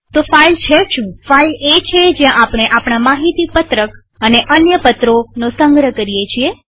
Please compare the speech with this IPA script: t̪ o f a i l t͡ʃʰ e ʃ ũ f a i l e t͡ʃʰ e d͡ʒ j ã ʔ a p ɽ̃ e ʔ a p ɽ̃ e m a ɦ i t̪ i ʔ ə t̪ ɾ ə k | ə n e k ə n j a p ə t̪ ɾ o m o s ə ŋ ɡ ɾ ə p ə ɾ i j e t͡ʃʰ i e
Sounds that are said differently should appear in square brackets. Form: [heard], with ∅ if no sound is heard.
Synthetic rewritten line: t̪ o f a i l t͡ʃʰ e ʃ ũ f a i l e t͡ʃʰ e d͡ʒ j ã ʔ a p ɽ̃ e ʔ a p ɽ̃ [a] m a ɦ i t̪ i [p] ə t̪ ɾ ə k | ə n e [ʔ] ə n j [ə] p ə t̪ ɾ o [n] o s ə ŋ ɡ ɾ ə [k] ə ɾ i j e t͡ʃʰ i e

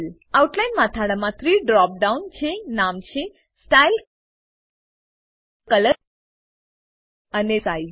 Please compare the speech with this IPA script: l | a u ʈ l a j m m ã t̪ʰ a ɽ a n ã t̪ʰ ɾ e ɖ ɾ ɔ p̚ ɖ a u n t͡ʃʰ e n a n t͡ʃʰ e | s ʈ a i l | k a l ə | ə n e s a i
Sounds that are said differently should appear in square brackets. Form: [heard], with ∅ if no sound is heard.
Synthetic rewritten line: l | a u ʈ l a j [n] m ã t̪ʰ a ɽ a [m] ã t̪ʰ ɾ [i] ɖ ɾ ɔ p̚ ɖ a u n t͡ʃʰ e n a [m] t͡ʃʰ e | s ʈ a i l | k [ə] l ə | ə n e s a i

